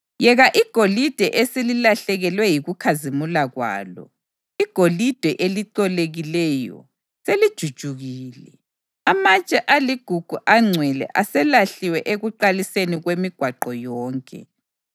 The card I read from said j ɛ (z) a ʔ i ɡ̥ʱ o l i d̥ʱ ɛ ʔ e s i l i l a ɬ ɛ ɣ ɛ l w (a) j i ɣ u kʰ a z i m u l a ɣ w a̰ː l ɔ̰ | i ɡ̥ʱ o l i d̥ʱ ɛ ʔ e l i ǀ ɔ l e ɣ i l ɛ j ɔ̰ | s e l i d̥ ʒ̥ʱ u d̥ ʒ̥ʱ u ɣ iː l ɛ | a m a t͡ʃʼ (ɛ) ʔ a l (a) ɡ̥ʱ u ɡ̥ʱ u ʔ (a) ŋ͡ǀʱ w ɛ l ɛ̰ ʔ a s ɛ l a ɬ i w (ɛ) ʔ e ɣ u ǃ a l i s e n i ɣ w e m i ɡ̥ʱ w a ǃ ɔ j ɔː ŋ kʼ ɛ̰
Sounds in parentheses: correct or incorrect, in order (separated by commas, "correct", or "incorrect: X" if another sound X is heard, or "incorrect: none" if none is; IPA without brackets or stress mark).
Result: incorrect: ɣ, incorrect: ɛ, correct, incorrect: i, correct, correct